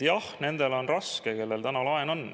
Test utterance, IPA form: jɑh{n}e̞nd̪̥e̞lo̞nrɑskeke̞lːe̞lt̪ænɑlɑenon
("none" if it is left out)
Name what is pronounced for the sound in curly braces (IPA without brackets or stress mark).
n